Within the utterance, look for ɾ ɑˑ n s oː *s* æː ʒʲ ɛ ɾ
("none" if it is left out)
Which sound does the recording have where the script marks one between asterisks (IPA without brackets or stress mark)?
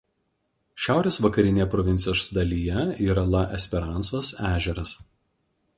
s